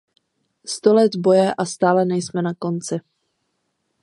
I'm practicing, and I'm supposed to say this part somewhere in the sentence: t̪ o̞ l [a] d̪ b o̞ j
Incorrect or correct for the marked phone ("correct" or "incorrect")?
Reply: incorrect